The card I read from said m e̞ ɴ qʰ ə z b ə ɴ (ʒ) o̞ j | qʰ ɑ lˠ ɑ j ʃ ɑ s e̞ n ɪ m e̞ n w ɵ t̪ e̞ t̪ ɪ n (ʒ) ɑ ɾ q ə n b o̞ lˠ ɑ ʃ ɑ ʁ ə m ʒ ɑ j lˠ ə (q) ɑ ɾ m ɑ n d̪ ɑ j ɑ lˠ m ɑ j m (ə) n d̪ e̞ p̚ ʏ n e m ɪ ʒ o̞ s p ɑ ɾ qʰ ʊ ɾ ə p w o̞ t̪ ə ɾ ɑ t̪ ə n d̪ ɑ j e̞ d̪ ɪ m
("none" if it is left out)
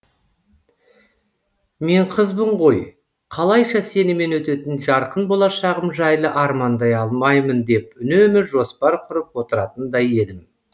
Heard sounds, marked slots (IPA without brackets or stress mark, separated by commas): ʁ, ʒ, ʔ, ə